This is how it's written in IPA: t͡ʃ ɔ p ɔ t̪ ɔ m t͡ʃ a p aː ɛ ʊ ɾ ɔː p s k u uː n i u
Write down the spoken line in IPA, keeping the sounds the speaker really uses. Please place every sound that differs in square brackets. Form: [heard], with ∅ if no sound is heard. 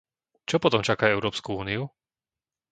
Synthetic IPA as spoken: t͡ʃ ɔ p ɔ t̪ ɔ m t͡ʃ a [k] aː ɛ ʊ ɾ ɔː p s k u uː n i u